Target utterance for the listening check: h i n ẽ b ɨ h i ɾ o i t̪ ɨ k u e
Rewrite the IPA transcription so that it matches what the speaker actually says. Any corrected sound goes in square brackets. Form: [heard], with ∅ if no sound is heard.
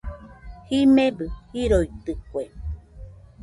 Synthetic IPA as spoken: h i [m] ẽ b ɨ h i ɾ o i t̪ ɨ k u e